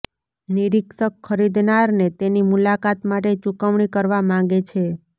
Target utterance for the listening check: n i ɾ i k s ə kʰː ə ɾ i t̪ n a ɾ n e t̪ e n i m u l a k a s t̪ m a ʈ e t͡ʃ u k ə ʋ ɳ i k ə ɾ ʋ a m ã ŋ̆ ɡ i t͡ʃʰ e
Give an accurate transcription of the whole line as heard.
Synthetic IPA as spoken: n i ɾ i k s ə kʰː ə ɾ i d̪ n a ɾ n e t̪ e n i m u l a k a t̪ m a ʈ e t͡ʃ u k ə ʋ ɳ i k ə ɾ ʋ a m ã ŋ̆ ɡ e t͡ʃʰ e